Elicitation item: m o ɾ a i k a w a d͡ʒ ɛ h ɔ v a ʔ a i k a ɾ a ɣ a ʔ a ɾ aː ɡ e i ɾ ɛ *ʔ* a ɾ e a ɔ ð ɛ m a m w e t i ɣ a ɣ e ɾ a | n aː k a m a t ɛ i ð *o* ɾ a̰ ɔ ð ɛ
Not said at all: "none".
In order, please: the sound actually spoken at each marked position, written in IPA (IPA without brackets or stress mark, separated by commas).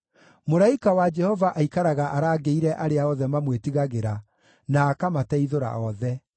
ʔ, o